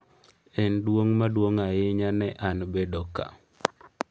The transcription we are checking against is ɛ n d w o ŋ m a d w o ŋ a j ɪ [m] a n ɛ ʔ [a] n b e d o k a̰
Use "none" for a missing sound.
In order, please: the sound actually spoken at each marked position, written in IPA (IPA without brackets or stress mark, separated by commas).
ɲ, a